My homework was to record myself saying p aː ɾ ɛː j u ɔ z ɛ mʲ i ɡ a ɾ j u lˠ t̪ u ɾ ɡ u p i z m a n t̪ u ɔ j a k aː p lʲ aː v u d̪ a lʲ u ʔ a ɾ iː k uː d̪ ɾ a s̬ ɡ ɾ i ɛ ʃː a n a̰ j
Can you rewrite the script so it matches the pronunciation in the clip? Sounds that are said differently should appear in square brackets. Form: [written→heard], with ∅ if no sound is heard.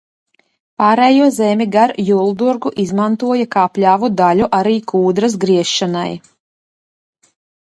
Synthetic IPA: p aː ɾ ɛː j u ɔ z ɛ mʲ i ɡ a ɾ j u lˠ [t̪→d̪] u ɾ ɡ u [p→ʔ] i z m a n t̪ u ɔ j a k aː p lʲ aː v u d̪ a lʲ u ʔ a ɾ iː k uː d̪ ɾ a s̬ ɡ ɾ i ɛ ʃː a n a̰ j